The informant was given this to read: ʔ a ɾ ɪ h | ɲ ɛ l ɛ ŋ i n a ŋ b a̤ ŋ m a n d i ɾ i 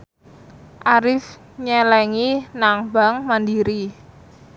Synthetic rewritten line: ʔ a ɾ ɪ f | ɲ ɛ l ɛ ŋ i n a ŋ b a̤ ŋ m a n d i ɾ i

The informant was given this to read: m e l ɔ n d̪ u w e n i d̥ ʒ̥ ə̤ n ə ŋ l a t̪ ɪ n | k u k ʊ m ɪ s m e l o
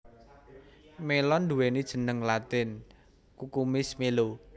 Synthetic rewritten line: m e l ɔ n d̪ u w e n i d̥ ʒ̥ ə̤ n ə ŋ l a t̪ ɪ n | k u k u m ɪ s m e l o

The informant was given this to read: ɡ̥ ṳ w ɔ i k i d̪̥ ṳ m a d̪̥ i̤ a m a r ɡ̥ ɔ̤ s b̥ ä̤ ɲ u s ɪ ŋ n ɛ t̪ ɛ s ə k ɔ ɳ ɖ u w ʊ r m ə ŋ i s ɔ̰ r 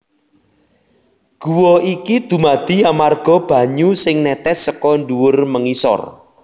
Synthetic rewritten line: ɡ̥ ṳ w ɔ i k i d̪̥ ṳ m a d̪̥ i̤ a m a r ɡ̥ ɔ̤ b̥ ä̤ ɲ u s ɪ ŋ n ɛ t̪ ɛ s ə k ɔ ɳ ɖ u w ʊ r m ə ŋ i s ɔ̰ r

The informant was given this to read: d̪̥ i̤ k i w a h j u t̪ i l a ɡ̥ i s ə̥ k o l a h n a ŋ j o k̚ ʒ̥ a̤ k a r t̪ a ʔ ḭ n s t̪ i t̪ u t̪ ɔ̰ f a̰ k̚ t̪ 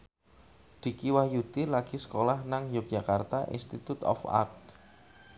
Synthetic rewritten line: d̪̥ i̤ k i w a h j u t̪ i l a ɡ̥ i s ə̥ k o l a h n a ŋ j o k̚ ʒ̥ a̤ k a r t̪ a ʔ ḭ n s t̪ i t̪ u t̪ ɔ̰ f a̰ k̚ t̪

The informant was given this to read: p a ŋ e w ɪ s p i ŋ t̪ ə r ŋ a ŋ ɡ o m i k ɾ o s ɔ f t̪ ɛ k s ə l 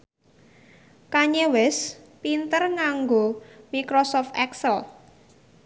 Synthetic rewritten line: k a ɲ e w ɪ s p i n t̪ ə r ŋ a ŋ ɡ o m i k ɾ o s ɔ f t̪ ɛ k s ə l

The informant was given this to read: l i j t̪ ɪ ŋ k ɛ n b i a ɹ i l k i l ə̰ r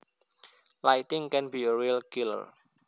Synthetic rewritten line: l a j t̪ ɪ ŋ k ɛ n b i ə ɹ i l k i l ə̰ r

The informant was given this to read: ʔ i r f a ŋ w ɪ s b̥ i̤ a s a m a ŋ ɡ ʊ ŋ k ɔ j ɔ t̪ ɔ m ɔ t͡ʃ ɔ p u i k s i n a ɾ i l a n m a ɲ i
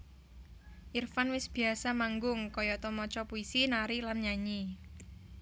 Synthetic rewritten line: ʔ i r f a n w ɪ s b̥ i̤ a s a m a ŋ ɡ ʊ ŋ k ɔ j ɔ t̪ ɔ m ɔ t͡ʃ ɔ p u i s i n a ɾ i l a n ɲ a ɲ i

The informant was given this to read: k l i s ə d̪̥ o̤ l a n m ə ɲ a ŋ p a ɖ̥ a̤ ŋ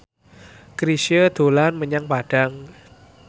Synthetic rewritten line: k ɾ i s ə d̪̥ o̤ l a n m ə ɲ a ŋ p a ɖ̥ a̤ ŋ

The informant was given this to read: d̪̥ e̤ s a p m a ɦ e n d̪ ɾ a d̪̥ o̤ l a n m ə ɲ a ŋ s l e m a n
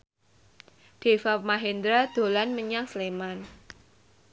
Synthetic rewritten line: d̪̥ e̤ f a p m a ɦ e n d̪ ɾ a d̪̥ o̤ l a n m ə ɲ a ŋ s l e m a n

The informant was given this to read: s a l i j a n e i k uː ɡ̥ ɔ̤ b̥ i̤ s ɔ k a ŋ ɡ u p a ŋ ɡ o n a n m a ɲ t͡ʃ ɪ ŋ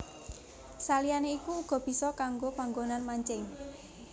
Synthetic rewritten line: s a l i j a n e i k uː ɡ̥ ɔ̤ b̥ i̤ s ɔ k a ŋ ɡ o p a ŋ ɡ o n a n m a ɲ t͡ʃ ɪ ŋ

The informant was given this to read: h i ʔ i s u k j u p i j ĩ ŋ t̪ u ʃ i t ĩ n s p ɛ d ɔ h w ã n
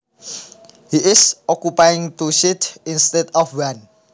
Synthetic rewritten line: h i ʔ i s ɔ k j u p a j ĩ ŋ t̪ u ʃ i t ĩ n s t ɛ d ɔ f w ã n

